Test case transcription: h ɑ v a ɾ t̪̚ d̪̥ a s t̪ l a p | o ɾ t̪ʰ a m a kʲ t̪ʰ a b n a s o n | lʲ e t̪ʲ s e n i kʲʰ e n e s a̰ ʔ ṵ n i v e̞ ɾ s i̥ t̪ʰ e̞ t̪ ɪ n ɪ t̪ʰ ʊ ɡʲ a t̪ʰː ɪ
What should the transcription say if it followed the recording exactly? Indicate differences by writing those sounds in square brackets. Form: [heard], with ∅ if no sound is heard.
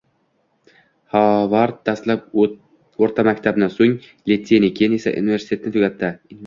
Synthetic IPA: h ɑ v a ɾ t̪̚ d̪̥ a s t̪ l a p | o ɾ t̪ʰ a m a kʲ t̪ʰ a b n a s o [ŋ] | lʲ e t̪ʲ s e n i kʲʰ e n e s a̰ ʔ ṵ n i v e̞ ɾ s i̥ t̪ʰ e̞ t̪ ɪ n ɪ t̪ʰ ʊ ɡʲ a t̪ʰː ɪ